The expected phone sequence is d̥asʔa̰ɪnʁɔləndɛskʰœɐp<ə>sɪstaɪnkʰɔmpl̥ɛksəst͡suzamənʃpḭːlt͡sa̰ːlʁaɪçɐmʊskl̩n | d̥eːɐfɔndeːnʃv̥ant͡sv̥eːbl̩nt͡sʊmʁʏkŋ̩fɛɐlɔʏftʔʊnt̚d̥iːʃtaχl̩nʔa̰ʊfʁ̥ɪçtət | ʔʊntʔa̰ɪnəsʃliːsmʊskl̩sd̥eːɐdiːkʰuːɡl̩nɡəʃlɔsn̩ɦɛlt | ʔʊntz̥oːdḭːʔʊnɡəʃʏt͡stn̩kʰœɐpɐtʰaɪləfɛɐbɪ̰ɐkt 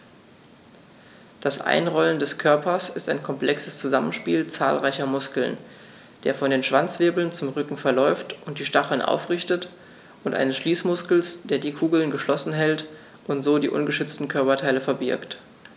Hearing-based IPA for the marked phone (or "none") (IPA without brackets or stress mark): ɐ